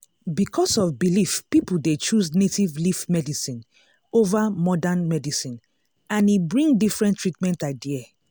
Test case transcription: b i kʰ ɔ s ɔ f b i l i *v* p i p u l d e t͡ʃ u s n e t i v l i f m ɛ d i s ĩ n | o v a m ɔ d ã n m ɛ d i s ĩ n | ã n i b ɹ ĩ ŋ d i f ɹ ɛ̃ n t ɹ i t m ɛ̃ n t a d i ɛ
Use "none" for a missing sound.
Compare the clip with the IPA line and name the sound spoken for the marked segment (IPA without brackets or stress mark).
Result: f